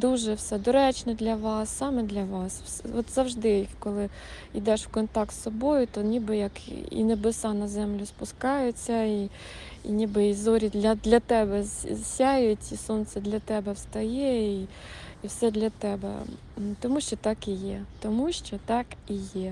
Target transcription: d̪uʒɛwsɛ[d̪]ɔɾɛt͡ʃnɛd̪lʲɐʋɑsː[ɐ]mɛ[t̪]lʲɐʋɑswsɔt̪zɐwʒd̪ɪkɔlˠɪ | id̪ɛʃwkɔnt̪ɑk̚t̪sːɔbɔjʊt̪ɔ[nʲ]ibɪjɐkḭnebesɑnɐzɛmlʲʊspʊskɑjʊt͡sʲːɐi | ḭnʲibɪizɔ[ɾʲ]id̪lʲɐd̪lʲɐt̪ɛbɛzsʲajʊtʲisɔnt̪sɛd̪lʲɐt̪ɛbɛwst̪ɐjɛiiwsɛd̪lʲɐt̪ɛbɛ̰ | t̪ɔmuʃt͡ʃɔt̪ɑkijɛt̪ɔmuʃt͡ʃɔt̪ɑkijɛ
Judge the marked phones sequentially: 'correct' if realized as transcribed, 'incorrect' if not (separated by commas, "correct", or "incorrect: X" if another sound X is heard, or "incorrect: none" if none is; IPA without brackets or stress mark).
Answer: correct, incorrect: ɑ, incorrect: d̪, correct, correct